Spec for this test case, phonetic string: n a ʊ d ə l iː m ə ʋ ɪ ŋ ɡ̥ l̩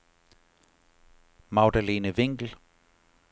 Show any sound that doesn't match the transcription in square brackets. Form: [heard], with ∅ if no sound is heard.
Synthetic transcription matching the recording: [m] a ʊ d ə l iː [n] ə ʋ ɪ ŋ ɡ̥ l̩